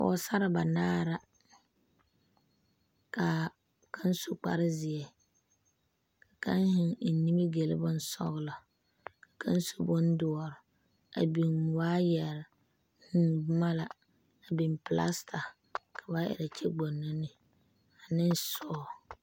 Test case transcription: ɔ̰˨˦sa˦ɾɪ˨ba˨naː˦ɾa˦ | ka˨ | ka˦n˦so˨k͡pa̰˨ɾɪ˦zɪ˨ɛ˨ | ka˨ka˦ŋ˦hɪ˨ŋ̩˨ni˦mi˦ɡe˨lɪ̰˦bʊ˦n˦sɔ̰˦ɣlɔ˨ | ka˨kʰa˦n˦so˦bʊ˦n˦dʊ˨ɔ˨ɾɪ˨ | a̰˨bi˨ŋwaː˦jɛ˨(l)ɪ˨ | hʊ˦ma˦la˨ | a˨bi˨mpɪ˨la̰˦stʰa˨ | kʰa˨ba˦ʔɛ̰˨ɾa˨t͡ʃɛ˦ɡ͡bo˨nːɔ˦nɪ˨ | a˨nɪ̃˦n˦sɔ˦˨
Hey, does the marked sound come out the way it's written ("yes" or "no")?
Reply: no